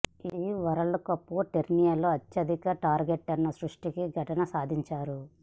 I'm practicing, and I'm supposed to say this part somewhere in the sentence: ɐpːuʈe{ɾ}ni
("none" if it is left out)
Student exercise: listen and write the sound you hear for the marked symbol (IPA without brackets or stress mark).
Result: ɾ